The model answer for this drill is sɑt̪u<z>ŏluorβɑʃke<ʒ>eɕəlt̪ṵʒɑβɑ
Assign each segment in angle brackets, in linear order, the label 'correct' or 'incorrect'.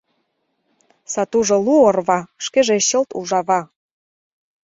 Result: incorrect, correct

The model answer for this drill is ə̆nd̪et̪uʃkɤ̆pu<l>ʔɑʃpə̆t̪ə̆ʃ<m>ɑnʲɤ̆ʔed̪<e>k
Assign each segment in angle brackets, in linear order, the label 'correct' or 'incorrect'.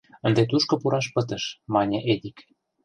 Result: incorrect, correct, incorrect

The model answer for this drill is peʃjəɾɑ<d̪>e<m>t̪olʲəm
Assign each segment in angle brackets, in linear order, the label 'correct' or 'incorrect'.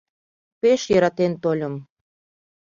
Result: incorrect, incorrect

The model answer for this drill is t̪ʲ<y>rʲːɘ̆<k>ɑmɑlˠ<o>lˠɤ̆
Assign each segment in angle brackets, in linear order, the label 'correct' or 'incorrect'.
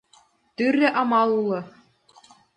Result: correct, incorrect, incorrect

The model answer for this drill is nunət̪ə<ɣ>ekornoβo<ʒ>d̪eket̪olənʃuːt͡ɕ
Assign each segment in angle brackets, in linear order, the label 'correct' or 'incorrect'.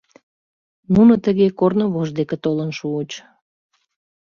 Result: correct, correct

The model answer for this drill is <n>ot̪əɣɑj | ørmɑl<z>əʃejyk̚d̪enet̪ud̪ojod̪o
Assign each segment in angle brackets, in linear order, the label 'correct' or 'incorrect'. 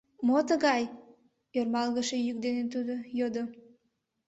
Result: incorrect, incorrect

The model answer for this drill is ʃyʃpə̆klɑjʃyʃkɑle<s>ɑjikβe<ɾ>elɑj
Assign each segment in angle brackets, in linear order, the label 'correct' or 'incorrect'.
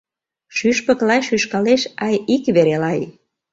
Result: incorrect, correct

